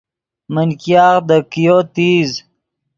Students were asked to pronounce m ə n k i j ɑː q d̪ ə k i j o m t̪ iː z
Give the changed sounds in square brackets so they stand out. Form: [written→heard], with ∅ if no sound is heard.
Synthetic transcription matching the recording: m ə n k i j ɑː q d̪ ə k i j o [m→∅] t̪ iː z